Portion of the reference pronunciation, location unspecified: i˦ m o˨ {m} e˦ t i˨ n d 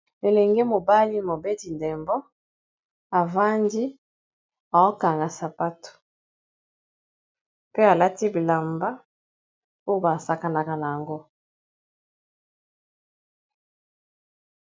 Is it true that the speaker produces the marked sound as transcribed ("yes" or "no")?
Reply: no